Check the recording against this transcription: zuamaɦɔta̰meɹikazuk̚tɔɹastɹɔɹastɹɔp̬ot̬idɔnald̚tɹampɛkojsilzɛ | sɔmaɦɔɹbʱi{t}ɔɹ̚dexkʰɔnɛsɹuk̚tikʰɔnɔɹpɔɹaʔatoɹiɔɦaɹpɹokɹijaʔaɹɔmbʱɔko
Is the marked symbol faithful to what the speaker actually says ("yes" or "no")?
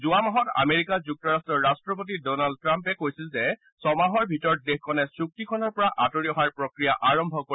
yes